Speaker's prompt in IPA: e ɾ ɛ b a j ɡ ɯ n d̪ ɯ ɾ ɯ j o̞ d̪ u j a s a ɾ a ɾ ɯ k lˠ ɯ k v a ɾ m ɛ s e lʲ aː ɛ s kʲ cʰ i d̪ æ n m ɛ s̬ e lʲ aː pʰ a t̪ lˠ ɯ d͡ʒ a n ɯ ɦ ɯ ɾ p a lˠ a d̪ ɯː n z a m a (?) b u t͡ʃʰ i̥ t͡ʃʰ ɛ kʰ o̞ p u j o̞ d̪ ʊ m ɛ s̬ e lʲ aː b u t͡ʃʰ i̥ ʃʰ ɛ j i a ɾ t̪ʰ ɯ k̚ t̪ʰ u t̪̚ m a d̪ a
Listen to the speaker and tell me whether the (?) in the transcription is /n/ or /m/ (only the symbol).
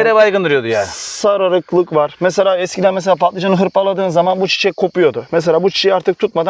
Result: n